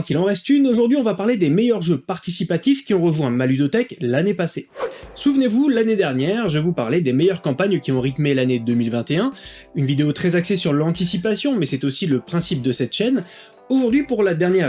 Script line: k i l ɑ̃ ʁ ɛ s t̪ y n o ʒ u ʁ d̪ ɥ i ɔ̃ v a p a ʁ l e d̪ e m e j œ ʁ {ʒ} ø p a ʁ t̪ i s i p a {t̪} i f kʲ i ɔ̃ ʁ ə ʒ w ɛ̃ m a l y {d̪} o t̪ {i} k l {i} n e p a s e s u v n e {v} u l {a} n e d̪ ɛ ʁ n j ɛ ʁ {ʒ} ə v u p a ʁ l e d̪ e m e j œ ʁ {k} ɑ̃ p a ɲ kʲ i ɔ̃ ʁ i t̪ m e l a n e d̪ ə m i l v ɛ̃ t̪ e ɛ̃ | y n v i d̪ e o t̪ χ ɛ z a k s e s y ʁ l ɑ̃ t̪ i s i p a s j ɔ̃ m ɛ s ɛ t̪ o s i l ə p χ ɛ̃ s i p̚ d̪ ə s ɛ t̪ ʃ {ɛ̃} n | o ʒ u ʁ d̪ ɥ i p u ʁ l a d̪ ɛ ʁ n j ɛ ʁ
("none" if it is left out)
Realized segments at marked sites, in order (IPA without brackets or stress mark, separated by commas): ʒ, t̪, d̪, ɛ, a, v, a, ʒ, k, ɛ